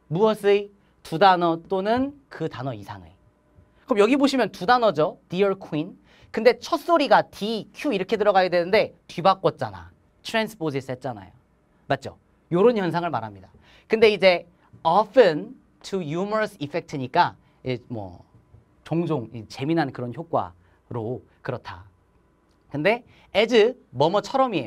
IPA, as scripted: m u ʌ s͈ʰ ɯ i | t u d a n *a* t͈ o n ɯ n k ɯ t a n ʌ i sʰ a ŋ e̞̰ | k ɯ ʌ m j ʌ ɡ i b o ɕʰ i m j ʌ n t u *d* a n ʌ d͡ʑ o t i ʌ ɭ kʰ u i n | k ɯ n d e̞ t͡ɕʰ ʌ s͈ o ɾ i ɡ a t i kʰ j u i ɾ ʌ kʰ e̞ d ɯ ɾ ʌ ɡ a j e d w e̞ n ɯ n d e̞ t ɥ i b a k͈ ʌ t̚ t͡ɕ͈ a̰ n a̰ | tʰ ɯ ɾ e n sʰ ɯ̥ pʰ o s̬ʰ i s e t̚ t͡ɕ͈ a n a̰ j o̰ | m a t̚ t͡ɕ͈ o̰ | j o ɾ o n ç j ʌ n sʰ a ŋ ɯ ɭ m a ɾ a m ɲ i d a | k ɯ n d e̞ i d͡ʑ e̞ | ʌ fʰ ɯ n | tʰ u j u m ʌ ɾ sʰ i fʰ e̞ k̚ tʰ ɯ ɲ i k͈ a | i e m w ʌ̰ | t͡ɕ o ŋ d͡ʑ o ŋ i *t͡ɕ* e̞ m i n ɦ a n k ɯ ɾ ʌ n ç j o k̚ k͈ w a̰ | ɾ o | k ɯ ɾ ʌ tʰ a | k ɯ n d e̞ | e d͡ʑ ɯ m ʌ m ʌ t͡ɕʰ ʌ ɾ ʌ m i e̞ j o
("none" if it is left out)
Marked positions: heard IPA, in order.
ʌ, d, t͡ɕ

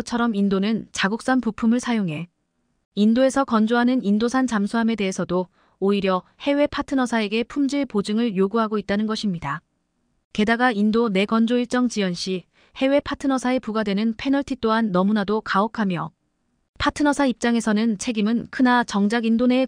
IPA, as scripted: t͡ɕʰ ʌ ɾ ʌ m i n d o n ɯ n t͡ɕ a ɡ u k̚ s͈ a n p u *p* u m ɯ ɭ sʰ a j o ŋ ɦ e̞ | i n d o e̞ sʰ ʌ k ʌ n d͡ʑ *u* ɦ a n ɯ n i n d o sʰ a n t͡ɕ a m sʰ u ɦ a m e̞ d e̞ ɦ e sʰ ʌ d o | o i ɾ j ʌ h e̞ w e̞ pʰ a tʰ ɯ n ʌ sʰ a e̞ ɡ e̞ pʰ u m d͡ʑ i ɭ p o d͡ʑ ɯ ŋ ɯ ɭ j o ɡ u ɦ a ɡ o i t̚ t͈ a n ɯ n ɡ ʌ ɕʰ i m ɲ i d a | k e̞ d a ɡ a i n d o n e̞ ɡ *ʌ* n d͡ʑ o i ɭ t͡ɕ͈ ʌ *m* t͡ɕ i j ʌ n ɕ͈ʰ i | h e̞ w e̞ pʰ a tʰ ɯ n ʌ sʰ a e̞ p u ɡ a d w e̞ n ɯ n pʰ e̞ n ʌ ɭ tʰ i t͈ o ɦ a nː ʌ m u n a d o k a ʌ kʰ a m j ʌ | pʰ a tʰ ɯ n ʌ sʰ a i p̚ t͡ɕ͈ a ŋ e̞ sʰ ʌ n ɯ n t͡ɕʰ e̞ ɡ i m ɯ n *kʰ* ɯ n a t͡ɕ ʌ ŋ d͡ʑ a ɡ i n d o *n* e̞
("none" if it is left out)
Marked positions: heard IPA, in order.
pʰ, o, ʌ, ŋ, kʰ, n

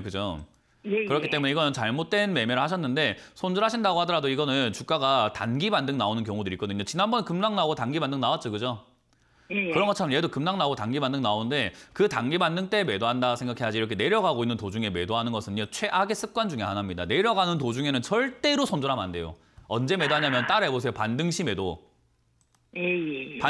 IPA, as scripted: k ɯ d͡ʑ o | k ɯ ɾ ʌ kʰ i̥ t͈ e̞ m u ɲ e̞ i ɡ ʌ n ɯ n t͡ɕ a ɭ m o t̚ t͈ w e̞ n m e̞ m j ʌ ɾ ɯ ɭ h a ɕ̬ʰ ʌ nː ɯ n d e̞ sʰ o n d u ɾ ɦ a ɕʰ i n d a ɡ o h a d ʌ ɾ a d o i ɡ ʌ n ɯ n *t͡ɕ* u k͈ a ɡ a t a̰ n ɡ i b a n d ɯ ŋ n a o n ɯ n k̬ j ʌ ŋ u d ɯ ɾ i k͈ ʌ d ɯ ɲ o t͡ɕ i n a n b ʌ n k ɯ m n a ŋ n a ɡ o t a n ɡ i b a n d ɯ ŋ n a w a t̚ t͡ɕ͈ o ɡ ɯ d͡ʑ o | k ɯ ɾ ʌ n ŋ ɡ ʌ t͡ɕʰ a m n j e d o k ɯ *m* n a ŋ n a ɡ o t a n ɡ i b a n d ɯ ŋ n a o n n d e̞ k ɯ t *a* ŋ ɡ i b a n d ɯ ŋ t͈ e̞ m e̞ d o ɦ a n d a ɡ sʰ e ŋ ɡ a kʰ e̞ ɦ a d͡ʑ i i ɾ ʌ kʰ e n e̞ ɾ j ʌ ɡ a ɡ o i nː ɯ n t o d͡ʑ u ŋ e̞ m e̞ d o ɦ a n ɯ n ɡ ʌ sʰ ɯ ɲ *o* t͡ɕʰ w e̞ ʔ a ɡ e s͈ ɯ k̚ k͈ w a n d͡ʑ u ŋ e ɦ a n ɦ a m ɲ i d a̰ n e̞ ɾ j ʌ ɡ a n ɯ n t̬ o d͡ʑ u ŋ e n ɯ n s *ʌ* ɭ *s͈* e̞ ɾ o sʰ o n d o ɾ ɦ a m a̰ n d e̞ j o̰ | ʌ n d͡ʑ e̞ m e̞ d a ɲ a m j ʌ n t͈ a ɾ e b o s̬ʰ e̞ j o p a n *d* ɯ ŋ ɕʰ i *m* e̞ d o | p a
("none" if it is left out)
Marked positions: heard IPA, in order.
t͡ɕ, m, a, o, ʌ, t͈, d, m

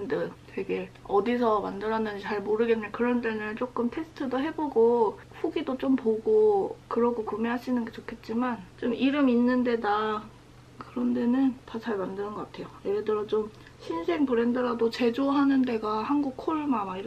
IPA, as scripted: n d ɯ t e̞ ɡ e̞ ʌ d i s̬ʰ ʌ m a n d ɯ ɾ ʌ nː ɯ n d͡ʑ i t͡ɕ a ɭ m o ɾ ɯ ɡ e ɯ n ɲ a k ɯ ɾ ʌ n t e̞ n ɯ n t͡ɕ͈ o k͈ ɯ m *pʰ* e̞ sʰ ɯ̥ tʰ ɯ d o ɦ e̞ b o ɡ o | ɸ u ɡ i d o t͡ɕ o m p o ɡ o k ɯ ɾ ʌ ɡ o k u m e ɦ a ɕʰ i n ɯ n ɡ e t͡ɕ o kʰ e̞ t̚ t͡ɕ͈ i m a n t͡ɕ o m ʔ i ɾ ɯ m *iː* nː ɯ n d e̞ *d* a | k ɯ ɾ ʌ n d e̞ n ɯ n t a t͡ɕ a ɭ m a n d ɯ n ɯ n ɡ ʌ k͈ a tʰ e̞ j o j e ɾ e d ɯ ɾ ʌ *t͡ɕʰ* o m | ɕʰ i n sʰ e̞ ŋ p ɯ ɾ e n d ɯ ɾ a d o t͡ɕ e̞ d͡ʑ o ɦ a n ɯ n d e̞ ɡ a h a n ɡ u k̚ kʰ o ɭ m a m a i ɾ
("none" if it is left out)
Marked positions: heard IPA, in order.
tʰ, i, d, t͡ɕ

